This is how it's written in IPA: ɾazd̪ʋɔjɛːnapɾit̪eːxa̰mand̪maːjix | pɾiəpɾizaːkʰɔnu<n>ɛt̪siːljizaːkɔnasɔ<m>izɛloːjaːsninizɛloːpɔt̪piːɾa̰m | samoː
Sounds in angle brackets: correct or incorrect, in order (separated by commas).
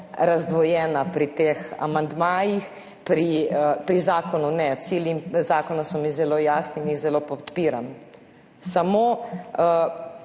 correct, correct